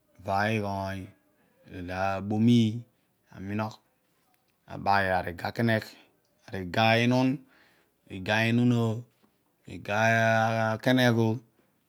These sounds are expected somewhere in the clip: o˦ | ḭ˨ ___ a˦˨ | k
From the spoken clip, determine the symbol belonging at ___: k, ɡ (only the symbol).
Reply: ɡ